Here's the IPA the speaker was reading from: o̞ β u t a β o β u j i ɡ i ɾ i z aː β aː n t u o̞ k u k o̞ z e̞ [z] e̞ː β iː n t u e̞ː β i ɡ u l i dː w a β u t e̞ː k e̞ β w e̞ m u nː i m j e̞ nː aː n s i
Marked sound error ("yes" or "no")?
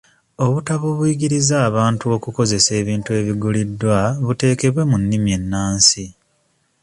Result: yes